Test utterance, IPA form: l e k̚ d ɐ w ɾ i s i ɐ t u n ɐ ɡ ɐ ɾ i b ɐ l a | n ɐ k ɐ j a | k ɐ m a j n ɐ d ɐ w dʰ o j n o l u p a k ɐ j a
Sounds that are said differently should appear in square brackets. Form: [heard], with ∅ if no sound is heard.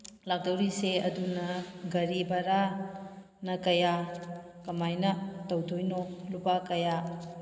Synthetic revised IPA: l [a] k̚ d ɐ w ɾ i s [e] ɐ [d] u n ɐ ɡ ɐ ɾ i b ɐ [ɾ] a | n ɐ k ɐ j a | k ɐ m a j n ɐ [t] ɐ w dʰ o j n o l u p a k ɐ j a